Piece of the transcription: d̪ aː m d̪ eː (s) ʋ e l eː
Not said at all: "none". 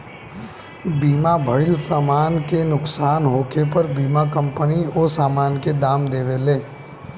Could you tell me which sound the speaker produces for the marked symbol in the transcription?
none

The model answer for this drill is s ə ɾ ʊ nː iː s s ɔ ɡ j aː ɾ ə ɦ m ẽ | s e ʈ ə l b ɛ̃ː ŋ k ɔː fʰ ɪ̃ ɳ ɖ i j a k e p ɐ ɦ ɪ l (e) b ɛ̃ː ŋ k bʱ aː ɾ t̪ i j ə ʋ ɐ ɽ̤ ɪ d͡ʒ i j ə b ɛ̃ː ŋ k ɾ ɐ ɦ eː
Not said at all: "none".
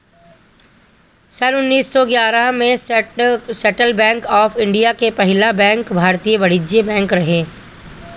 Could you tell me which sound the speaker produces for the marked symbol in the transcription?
a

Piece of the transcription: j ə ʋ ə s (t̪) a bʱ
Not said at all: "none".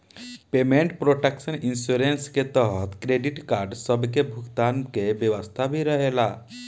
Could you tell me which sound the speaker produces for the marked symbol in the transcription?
t̪ʰ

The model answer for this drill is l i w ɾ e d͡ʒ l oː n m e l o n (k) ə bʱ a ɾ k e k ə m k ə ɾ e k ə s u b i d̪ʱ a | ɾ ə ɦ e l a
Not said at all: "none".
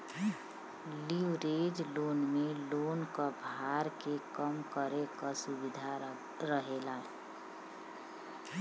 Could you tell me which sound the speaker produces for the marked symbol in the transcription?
k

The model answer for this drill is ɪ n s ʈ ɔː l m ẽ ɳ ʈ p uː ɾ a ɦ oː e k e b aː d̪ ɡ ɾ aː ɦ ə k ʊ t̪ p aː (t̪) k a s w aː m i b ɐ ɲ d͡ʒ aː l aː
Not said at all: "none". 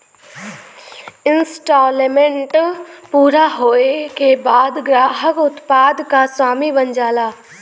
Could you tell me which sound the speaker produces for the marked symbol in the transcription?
d̪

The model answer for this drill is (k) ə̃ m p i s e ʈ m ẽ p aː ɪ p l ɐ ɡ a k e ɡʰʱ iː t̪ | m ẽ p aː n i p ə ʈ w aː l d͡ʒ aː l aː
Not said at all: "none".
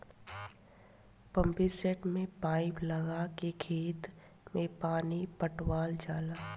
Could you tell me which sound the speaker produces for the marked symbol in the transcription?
p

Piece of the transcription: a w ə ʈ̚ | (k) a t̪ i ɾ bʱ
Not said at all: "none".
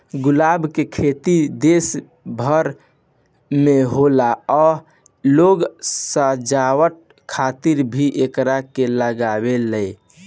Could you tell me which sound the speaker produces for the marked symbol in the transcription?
kʰ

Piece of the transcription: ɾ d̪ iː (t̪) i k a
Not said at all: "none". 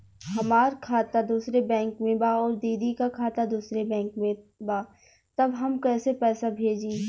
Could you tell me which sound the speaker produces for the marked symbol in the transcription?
d̪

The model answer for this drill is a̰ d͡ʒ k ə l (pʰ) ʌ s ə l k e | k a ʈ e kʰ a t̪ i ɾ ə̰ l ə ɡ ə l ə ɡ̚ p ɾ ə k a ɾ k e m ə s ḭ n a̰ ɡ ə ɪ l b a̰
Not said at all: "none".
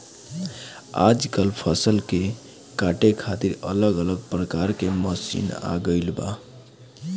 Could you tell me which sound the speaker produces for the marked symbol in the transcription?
pʰ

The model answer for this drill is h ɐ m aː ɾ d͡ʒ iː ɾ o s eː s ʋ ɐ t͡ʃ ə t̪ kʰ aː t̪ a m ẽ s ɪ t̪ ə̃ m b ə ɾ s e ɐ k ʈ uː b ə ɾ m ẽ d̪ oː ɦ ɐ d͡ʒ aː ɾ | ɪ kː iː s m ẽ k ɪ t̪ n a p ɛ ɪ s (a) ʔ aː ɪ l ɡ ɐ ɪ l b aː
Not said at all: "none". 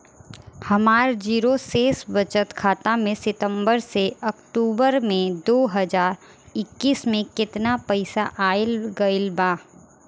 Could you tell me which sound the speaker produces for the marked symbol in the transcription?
a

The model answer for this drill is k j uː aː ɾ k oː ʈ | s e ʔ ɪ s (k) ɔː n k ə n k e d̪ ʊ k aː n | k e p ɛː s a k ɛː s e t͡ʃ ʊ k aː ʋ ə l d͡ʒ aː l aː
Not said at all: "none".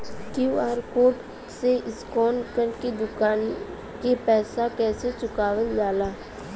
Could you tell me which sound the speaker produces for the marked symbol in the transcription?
k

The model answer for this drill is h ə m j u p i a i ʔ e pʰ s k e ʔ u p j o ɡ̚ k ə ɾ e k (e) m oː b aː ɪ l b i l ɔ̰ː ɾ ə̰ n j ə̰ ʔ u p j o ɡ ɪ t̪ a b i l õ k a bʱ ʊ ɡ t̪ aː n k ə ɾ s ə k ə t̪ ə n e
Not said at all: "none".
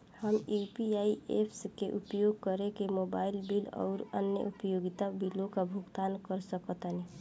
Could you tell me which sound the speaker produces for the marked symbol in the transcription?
e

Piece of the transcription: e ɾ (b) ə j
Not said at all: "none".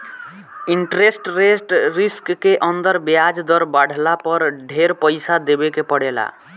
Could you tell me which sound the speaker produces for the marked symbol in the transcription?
p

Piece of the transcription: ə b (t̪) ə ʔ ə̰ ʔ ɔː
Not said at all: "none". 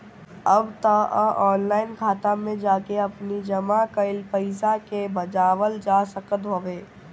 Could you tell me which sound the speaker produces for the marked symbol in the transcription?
t̪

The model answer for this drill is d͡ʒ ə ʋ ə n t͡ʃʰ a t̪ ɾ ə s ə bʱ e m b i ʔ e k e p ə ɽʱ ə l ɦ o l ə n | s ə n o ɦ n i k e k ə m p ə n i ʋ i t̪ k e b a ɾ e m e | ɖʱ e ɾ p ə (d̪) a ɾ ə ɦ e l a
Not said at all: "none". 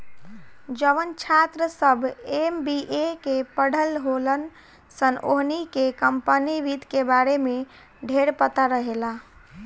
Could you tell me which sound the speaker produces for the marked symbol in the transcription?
t̪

